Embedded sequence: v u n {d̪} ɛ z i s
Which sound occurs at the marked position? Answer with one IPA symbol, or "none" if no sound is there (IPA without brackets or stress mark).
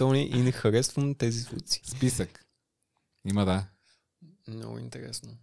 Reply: t̪